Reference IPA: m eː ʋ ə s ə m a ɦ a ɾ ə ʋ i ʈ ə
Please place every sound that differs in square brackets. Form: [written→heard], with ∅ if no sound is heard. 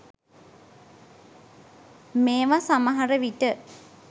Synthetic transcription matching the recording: m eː ʋ [ə→a] s [ə→a] m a ɦ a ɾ ə ʋ i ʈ ə